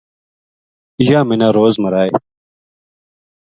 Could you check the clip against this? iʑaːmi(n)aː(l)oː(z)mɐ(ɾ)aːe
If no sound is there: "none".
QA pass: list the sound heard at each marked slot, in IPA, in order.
n, ɾ, z, ɾ

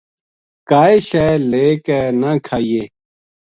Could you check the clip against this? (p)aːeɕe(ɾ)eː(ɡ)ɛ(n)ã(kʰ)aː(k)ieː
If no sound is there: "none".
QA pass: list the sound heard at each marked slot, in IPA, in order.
k, l, k, n, kʰ, none

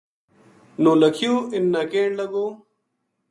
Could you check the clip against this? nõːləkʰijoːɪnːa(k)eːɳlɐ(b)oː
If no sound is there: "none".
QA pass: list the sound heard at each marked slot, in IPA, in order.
k, ɡ

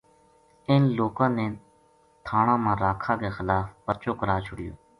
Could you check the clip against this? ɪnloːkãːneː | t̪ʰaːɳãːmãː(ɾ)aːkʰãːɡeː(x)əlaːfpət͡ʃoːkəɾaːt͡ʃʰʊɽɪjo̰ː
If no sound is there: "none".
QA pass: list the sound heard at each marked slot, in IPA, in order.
ɾ, x

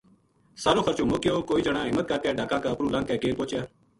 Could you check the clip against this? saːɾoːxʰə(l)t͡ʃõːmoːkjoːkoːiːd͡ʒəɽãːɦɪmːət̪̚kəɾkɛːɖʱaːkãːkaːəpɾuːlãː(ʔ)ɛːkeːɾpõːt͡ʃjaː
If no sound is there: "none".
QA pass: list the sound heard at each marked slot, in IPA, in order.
ɾ, k

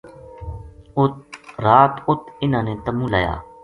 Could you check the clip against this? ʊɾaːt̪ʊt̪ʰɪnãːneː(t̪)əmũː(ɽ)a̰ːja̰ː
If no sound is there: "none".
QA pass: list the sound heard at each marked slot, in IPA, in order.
t̪, l

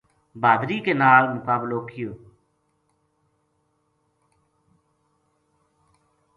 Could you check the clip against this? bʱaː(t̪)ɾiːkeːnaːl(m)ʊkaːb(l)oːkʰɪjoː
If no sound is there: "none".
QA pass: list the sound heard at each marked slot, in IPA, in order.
d̪, m, l

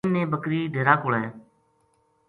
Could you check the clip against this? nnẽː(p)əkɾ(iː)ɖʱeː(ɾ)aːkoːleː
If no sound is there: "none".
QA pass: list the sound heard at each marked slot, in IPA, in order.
b, iː, ɾ

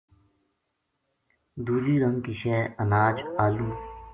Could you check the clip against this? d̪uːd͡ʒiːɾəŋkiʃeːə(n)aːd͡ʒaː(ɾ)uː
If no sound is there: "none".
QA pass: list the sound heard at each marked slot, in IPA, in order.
n, l

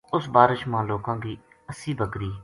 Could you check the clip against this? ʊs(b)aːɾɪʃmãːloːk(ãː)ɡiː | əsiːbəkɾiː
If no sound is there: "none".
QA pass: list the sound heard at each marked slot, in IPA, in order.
b, ãː

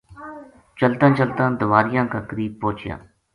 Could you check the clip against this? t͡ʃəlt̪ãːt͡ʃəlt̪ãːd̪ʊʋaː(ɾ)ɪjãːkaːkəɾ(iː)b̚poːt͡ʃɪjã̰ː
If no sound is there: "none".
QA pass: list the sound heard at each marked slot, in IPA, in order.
ɾ, iː

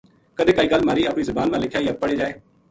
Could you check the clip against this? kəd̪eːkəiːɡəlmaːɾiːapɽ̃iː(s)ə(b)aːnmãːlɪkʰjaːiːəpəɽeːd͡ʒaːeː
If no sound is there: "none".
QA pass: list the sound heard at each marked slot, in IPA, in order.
z, b

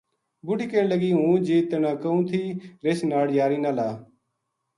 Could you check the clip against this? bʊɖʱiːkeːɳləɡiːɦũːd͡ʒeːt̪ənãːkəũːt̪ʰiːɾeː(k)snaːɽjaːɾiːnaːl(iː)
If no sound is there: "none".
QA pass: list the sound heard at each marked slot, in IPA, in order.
none, aː

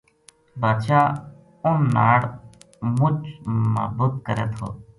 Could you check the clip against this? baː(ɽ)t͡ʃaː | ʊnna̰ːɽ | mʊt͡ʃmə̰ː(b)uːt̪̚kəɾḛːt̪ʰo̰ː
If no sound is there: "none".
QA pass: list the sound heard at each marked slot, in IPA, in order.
none, b

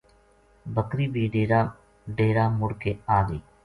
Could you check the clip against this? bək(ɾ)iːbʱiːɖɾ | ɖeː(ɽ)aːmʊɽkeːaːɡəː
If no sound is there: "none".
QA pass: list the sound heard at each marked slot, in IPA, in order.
ɾ, ɾ

